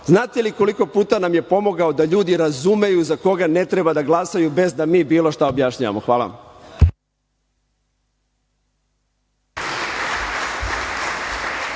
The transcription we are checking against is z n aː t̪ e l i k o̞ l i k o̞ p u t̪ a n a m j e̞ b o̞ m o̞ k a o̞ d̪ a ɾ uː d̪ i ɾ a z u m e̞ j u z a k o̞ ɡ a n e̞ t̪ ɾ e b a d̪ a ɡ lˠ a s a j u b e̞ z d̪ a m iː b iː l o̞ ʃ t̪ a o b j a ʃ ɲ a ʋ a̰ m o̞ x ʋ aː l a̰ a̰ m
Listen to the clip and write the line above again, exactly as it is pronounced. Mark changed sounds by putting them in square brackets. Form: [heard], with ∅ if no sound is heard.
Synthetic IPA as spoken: z n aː t̪ e l i k o̞ l i k o̞ p [uː] t̪ a n a m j e̞ [p] o̞ m o̞ [ɡ] a o̞ d̪ a [ʎ] uː d̪ i ɾ a z u m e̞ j u z a k o̞ ɡ a n e̞ t̪ ɾ e b a d̪ a ɡ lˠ a s a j u b e̞ z d̪ a m iː b iː l o̞ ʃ t̪ a o b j a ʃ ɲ a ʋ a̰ m o̞ x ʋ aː l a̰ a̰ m